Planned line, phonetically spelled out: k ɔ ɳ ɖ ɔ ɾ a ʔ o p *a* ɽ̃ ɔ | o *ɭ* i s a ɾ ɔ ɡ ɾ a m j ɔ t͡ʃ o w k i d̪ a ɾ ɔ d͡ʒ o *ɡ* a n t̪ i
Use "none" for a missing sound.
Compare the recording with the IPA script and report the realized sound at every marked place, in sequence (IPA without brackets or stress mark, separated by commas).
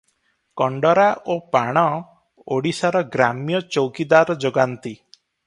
a, ɽ, ɡ